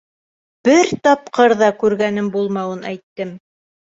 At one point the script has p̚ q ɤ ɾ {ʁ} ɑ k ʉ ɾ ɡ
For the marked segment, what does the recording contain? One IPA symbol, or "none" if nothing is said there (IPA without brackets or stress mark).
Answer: ð